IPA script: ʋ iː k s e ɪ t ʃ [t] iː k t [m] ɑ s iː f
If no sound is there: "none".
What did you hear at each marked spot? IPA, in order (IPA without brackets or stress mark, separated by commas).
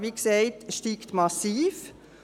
t, m